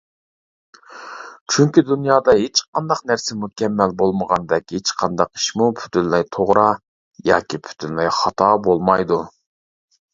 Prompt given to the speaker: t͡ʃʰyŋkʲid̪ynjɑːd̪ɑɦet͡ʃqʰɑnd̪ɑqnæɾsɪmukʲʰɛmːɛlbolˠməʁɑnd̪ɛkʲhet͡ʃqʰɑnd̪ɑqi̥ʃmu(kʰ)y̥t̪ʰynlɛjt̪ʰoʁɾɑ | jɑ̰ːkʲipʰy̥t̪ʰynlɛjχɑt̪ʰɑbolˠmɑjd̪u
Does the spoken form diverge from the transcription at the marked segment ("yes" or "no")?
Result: yes